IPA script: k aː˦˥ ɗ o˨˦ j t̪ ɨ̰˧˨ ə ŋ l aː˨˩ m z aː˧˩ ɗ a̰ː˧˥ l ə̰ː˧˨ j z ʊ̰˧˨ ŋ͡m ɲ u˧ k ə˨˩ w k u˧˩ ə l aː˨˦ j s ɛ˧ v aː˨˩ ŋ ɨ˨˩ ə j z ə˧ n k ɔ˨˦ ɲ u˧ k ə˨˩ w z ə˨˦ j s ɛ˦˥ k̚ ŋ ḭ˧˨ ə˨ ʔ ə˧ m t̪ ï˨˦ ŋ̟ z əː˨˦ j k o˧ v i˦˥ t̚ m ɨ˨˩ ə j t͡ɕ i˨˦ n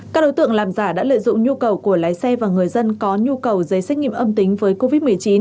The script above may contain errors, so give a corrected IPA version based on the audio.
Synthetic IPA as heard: k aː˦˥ ɗ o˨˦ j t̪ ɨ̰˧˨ ə ŋ l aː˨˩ m z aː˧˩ ɗ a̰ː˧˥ l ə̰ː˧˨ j z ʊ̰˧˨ ŋ͡m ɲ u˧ k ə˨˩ w k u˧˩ ə l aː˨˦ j s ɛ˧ v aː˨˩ ŋ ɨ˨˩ ə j z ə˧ n k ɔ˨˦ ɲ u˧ k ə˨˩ w z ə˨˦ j s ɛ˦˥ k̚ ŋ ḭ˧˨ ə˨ ʔ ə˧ m t̪ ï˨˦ ŋ̟ v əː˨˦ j k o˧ v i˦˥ t̚ m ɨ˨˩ ə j t͡ɕ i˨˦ n